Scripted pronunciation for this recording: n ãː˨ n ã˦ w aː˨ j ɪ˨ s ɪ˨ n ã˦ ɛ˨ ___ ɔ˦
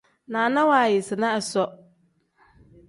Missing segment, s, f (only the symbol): s